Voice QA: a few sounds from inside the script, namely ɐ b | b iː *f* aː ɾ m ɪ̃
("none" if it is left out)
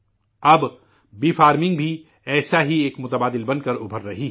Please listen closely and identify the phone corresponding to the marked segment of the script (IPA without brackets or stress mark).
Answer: f